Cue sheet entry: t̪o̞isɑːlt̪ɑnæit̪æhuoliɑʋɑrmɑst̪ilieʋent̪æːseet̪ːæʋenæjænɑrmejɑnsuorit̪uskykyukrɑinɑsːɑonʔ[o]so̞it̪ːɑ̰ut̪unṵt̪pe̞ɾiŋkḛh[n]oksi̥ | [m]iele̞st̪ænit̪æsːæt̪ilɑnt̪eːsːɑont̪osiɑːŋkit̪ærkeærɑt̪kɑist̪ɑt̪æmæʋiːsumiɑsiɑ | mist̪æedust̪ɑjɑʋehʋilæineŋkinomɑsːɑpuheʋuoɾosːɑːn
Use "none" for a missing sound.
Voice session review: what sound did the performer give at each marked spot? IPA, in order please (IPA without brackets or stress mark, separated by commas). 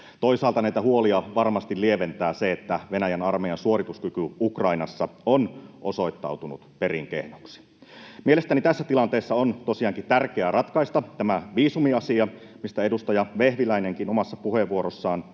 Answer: o, n, m